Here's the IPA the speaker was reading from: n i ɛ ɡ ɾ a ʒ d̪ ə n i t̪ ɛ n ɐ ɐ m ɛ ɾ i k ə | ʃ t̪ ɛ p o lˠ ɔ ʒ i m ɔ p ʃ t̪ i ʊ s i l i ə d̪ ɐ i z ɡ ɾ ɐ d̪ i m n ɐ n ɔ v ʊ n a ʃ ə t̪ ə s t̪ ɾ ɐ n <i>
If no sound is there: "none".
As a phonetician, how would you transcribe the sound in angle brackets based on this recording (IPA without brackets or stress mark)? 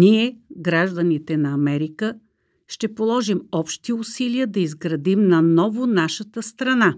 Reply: a